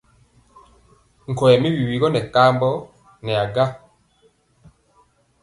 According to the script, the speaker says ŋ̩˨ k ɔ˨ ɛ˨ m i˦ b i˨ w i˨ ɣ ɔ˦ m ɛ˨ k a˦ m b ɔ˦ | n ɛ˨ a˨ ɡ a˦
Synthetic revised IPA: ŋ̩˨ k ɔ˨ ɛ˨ m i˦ w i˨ w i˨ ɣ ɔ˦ n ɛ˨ k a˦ m b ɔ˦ | n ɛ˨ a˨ ɡ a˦